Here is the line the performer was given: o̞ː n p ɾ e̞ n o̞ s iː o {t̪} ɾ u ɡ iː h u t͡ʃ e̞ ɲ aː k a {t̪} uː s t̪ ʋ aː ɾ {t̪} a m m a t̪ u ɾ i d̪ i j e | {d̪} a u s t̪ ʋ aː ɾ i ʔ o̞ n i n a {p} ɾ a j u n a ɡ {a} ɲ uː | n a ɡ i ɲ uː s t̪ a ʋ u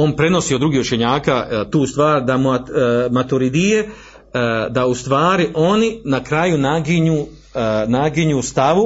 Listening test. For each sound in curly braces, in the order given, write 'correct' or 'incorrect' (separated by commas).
incorrect, correct, incorrect, correct, incorrect, incorrect